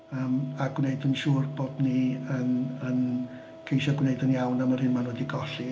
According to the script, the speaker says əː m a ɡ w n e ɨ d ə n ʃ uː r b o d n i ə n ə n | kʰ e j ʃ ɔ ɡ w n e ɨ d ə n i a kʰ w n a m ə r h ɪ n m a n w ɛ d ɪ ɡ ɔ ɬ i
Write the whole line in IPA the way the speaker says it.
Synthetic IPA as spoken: əː m a ɡ w n e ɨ d ə n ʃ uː r b o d n i ə n ə n | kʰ e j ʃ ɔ ɡ w n e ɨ d ə n j a w n a m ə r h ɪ n m a n w ɛ d i ɡ ɔ ɬ i